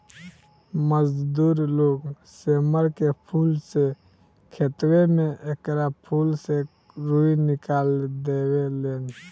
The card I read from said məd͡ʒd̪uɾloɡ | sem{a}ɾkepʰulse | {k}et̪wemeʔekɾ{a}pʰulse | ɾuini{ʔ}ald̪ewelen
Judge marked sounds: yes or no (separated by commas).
no, no, yes, no